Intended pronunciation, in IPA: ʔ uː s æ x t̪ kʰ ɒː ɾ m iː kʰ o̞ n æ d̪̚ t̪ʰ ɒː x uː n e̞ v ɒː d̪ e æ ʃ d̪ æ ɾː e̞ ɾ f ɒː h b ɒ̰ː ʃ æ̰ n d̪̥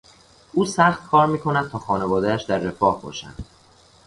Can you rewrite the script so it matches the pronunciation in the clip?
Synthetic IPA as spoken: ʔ uː s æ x t̪ kʰ ɒː ɾ m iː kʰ o̞ n æ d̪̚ t̪ʰ ɒː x ɒː n e̞ v ɒː d̪ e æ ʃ d̪ æ ɾː e̞ f ɒː h b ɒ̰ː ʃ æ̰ n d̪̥